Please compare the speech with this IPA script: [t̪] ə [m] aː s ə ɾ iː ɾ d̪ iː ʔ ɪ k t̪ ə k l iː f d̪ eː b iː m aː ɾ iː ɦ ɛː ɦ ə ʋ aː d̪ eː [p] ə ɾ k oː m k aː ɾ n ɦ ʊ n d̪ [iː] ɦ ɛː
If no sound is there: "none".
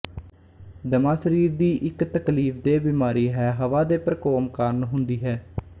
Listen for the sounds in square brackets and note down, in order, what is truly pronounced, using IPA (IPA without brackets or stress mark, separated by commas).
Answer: d̪, m, p, iː